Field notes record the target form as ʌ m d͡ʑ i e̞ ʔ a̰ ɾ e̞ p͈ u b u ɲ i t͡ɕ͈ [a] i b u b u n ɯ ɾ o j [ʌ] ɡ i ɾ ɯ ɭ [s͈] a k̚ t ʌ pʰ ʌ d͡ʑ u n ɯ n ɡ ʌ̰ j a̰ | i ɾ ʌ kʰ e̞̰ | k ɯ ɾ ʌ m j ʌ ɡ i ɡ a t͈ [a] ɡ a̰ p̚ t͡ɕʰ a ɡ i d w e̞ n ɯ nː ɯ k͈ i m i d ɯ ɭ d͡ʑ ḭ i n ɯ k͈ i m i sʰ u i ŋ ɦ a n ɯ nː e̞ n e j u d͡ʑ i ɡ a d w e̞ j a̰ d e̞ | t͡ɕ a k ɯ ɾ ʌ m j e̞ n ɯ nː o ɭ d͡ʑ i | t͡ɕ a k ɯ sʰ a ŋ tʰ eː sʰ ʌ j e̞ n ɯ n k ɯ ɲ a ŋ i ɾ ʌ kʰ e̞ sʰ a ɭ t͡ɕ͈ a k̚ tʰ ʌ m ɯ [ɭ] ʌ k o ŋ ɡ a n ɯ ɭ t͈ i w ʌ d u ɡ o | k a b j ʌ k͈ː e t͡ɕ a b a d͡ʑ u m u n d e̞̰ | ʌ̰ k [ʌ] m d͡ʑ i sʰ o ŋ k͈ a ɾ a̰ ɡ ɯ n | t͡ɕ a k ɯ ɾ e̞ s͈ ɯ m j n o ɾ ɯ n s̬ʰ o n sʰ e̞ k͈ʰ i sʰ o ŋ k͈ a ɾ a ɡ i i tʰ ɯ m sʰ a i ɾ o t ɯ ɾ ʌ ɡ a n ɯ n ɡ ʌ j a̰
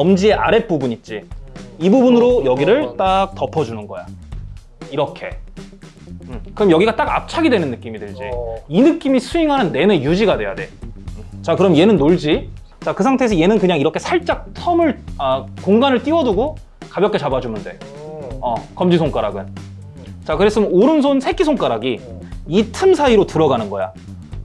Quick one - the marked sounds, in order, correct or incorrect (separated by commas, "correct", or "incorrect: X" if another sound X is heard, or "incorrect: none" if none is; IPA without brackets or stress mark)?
incorrect: i, correct, incorrect: t͈, correct, correct, correct